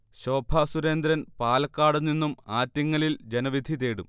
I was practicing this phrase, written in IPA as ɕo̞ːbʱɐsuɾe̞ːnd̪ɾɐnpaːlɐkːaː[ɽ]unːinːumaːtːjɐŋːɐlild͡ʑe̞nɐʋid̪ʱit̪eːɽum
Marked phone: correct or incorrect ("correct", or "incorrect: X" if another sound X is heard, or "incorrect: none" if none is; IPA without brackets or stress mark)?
correct